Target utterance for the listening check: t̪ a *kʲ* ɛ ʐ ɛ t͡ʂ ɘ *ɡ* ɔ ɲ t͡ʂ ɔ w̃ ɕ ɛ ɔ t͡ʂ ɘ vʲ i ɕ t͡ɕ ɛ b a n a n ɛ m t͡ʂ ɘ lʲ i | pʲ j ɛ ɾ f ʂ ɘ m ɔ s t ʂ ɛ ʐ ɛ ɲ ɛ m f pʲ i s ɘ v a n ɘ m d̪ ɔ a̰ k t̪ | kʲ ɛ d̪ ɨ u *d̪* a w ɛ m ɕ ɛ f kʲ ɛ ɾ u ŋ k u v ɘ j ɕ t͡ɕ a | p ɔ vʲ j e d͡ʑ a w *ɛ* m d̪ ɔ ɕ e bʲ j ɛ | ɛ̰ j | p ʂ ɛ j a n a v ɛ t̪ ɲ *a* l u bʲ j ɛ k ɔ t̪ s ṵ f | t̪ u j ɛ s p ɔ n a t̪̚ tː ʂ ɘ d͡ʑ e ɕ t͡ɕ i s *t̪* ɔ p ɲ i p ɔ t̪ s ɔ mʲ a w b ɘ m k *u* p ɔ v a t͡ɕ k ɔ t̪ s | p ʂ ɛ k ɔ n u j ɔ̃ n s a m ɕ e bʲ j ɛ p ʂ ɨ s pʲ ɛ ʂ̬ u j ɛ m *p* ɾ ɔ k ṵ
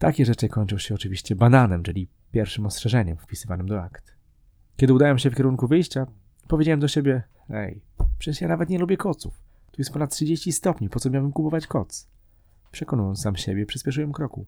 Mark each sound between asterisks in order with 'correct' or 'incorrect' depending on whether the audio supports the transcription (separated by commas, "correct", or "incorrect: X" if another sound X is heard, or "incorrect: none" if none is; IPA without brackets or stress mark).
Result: correct, incorrect: k, correct, correct, incorrect: ɛ, correct, correct, incorrect: k